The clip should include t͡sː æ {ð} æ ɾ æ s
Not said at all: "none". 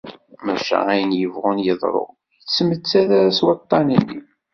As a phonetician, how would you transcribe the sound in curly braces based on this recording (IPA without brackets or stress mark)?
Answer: ð